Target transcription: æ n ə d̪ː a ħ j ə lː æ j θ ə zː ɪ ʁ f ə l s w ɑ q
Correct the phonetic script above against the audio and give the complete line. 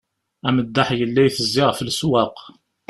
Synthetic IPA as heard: æ m ə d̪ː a ħ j ə lː æ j θ ə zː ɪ ʁ f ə l s w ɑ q